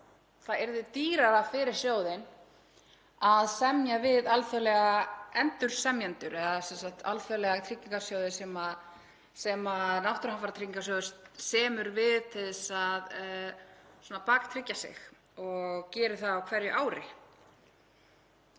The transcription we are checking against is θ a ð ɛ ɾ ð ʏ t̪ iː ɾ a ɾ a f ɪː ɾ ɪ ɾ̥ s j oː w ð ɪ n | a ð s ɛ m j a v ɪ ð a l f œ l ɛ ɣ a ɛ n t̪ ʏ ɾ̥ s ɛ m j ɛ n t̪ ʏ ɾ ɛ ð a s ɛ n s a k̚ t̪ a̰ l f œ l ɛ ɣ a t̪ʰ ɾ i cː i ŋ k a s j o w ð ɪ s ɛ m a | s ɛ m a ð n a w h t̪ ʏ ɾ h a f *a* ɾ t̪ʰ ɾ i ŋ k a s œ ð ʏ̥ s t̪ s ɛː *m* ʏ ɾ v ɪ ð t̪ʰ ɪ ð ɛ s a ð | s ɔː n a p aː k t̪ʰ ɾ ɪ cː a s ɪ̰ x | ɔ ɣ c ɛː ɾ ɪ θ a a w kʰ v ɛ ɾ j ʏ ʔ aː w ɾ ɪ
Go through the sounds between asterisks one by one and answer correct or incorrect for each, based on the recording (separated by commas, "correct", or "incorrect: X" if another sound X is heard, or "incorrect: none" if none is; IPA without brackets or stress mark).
correct, correct